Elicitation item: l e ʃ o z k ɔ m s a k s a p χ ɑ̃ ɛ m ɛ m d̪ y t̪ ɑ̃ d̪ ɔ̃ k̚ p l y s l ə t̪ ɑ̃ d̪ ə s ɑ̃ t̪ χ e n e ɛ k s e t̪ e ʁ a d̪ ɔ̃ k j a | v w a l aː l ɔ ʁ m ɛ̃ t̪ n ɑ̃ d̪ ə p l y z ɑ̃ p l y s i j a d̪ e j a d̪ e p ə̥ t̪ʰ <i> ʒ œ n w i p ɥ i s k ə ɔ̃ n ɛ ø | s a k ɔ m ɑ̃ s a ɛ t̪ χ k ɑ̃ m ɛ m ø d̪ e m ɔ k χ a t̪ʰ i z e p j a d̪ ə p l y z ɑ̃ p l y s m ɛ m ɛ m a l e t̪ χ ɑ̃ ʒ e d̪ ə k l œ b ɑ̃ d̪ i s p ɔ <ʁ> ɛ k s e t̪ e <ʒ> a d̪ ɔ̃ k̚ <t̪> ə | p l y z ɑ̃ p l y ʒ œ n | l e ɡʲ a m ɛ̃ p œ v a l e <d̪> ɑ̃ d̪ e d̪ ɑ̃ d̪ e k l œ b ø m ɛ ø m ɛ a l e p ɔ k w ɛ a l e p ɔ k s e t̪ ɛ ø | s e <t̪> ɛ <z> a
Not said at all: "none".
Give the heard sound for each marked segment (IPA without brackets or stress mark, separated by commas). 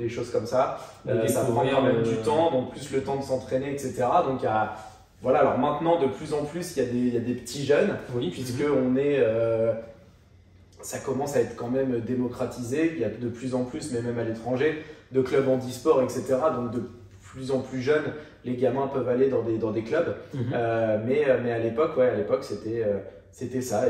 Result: i, ʁ, ʁ, d̪, d̪, t̪, s